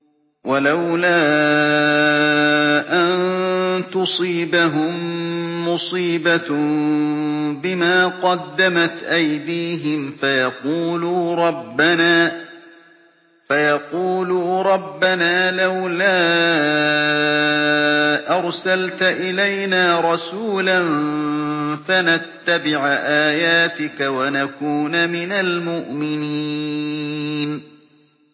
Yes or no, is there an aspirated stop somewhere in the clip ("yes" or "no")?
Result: no